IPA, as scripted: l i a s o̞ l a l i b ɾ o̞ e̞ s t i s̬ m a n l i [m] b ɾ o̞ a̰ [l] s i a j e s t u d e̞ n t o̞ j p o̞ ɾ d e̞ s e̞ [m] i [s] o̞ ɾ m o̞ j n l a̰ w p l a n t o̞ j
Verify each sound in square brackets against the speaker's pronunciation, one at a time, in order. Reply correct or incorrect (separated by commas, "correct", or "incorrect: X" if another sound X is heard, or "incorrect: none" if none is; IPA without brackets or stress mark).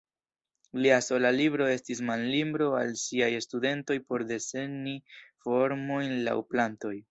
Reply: correct, correct, incorrect: n, incorrect: f